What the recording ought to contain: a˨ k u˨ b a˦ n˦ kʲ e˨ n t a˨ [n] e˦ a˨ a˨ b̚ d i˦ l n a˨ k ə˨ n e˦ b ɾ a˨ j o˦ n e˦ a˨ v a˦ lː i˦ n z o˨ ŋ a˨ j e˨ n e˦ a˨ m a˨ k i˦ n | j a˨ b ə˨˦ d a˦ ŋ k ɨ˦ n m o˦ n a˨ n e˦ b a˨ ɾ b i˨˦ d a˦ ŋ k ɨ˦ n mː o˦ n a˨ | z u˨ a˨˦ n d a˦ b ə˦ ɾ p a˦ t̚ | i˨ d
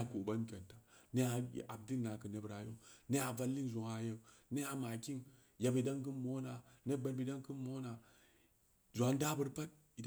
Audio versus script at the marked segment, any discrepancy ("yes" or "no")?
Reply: no